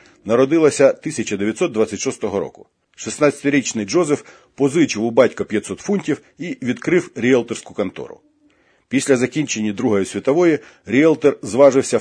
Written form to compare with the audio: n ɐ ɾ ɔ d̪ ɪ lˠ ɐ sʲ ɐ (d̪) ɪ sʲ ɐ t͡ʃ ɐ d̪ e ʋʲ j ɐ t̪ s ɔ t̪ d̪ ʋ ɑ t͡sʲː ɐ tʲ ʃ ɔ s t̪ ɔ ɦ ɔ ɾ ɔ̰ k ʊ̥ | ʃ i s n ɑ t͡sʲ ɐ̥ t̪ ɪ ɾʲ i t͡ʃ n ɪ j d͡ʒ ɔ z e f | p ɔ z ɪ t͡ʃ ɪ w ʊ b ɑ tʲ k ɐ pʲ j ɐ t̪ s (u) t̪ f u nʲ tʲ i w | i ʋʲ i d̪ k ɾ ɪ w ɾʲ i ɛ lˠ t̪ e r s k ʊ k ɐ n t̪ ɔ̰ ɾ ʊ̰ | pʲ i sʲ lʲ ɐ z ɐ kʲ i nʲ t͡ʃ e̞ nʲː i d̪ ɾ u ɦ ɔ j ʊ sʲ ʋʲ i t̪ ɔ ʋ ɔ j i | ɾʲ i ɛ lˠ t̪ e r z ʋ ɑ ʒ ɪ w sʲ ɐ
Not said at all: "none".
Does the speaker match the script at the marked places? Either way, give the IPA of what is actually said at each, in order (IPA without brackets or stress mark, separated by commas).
t̪, ɔ